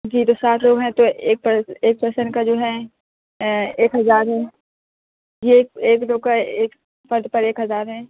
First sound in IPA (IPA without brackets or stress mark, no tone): d͡ʒ